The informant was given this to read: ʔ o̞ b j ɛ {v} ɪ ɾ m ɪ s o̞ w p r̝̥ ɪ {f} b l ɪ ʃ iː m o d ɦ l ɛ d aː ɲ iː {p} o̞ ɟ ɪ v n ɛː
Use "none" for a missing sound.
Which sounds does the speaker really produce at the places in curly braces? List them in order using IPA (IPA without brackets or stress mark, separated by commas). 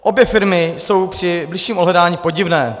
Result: f, none, p